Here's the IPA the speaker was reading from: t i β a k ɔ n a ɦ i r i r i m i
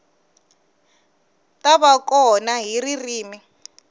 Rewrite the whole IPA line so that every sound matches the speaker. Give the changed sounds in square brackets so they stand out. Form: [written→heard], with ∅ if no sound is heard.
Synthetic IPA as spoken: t [i→a] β a k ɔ n a ɦ i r i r [i→iː] m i